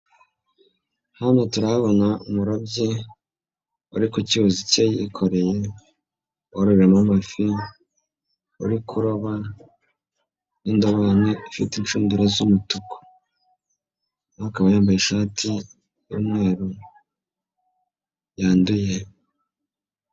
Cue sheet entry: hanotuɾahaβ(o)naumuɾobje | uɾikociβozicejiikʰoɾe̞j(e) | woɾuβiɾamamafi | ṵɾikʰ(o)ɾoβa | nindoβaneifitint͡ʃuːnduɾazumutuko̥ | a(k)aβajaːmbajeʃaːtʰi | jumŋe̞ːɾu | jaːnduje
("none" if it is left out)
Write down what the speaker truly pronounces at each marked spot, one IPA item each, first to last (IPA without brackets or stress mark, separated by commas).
o, e, u, k